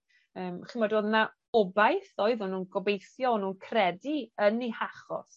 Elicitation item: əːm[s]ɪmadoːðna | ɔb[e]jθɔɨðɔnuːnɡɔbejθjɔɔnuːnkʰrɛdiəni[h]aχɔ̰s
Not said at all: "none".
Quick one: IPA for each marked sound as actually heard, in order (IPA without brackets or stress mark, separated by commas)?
χ, a, h